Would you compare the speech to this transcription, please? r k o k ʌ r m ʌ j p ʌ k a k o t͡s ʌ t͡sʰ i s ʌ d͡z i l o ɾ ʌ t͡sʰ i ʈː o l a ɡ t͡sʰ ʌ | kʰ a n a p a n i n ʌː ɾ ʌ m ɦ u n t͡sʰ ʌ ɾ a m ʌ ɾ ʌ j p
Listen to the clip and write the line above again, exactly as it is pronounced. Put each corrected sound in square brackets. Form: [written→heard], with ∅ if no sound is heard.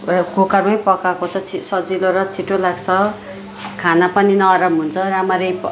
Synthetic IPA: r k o k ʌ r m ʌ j p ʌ k a k o [t͡s→t͡sʰ] ʌ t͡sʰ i s ʌ d͡z i l o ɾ ʌ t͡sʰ i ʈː o l a ɡ t͡sʰ ʌ | kʰ a n a p [a→ʌ] n i n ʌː ɾ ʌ m ɦ u n t͡sʰ ʌ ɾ a m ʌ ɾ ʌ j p